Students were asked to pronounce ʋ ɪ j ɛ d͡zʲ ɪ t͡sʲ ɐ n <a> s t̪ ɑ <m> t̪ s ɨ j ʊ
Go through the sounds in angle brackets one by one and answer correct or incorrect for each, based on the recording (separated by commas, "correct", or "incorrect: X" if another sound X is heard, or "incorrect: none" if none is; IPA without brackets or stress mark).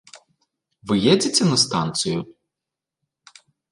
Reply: incorrect: ɐ, incorrect: n